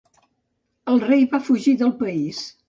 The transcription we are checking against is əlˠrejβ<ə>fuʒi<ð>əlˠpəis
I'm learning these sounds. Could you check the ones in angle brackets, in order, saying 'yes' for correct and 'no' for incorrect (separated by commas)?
no, yes